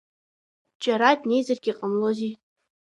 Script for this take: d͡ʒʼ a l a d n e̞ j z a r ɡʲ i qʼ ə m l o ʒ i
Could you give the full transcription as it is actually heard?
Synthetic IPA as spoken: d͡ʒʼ a ɾ a d n e̞ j z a r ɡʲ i qʼ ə m l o z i